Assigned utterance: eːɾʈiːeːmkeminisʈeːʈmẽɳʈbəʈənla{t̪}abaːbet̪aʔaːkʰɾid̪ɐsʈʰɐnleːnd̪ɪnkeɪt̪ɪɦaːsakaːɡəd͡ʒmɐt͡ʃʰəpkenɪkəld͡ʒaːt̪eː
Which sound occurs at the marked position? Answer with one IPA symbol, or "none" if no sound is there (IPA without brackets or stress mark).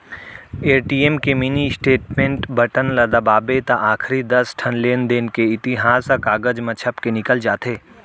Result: d̪